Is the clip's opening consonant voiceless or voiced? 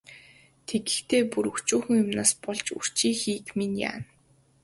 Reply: voiceless